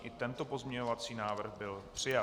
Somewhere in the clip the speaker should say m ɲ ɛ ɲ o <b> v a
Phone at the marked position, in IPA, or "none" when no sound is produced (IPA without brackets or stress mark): none